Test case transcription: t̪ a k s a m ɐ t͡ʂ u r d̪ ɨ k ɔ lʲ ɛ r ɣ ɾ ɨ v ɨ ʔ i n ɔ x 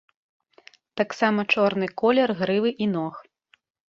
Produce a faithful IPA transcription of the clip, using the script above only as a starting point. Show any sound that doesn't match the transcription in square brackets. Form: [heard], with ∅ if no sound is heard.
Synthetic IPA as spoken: t̪ a k s a m ɐ t͡ʂ [ɔ] r [n̪] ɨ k ɔ lʲ ɛ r ɣ ɾ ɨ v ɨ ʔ i n ɔ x